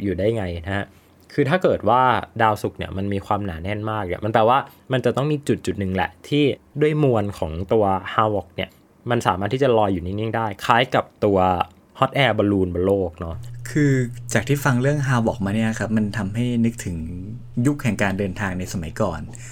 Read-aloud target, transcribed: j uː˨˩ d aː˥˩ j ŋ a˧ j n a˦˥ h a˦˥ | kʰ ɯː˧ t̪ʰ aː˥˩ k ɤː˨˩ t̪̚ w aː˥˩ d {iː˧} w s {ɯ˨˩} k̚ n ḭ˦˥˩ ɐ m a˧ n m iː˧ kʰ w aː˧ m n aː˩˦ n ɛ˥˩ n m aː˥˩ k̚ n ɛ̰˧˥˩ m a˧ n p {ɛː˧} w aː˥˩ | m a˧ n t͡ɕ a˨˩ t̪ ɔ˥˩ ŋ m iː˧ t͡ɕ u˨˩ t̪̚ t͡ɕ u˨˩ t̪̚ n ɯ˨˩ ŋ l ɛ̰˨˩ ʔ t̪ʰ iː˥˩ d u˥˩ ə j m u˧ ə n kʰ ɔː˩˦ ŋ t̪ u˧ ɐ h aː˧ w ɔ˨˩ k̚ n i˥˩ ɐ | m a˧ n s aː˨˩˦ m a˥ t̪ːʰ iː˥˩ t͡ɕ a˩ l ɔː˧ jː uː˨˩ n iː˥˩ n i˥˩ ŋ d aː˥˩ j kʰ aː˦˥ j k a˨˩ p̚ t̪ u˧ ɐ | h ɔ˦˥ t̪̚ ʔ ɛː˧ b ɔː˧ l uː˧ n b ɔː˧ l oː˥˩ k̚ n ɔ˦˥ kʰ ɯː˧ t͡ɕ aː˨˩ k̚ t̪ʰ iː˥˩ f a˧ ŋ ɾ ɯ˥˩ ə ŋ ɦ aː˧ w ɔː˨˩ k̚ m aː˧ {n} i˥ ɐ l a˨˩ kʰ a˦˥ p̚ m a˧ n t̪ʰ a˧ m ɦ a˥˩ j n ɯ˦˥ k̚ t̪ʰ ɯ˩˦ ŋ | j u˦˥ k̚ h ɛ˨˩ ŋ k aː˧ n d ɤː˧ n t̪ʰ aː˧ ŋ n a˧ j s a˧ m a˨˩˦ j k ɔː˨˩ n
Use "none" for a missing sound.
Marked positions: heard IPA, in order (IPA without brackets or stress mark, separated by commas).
aː˧, u˨˩, ɛː˨˩, n